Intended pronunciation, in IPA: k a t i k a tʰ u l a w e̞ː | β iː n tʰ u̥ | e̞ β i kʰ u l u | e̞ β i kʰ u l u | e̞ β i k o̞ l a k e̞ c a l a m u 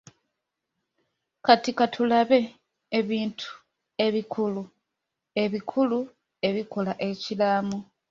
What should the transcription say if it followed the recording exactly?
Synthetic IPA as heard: k a t i k a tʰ u l a β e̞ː | β iː n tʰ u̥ | e̞ β i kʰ u l u | e̞ β i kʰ u l u | e̞ β i k o̞ l a ʔ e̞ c i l a m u